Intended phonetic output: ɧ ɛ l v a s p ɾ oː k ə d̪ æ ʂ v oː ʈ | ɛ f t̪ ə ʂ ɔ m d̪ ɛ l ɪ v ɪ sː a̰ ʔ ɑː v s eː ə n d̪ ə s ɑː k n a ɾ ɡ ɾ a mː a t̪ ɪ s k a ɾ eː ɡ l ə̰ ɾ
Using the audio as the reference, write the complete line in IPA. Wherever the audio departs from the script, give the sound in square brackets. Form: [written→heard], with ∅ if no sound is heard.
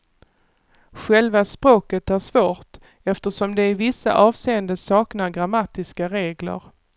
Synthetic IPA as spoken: ɧ ɛ l v a s p ɾ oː k ə [d̪→t̪] æ ʂ v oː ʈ | ɛ f t̪ ə ʂ ɔ m d̪ ɛ [l→∅] ɪ v ɪ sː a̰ ʔ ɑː v s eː ə n d̪ ə s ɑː k n a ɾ ɡ ɾ a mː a t̪ ɪ s k a ɾ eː ɡ l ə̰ ɾ